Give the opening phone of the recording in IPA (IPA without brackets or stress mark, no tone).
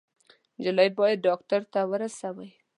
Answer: d͡ʒ